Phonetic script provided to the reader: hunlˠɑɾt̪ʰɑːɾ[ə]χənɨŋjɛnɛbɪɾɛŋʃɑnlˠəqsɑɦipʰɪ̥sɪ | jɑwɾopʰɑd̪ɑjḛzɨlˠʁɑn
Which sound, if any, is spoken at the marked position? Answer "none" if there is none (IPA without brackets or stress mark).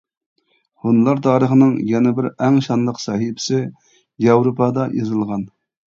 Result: ə